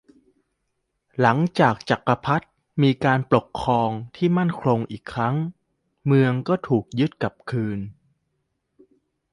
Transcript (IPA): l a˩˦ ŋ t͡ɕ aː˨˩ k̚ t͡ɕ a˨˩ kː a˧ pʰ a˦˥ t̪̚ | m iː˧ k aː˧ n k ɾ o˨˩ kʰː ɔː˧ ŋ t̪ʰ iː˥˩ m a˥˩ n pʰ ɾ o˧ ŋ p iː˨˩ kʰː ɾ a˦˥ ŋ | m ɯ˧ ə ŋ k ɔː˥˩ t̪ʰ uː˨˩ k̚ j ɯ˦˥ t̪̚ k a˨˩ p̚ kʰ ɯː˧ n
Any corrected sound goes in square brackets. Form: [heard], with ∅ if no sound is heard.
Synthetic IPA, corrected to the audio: l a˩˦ ŋ t͡ɕ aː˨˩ k̚ t͡ɕ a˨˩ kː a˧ pʰ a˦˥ t̪̚ | m iː˧ k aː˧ n [p] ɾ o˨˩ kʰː ɔː˧ ŋ t̪ʰ iː˥˩ m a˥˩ n [kʰ] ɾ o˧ ŋ [ʔ] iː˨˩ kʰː ɾ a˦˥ ŋ | m ɯ˧ ə ŋ k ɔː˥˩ t̪ʰ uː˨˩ k̚ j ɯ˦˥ t̪̚ k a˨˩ p̚ kʰ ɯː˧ n